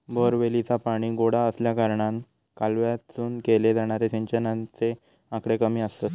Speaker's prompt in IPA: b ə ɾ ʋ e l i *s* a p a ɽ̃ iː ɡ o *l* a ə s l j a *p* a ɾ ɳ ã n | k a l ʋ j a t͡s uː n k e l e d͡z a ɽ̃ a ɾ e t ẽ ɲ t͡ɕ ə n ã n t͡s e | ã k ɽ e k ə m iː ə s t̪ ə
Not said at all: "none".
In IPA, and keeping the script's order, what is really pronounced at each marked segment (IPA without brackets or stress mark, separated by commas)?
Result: t͡s, ɽ, k